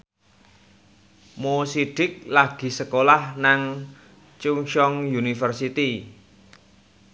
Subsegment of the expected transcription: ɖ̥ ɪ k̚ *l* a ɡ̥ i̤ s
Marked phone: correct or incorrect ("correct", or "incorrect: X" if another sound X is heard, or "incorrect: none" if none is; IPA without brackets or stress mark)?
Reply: correct